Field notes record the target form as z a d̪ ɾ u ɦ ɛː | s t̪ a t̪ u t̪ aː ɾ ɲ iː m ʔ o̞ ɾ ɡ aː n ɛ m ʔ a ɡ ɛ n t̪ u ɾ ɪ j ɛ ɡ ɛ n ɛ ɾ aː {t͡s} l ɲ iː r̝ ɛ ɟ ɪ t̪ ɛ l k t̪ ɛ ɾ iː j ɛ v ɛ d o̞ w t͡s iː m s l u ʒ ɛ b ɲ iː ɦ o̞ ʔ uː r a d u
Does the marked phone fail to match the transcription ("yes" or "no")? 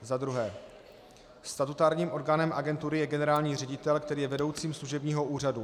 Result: yes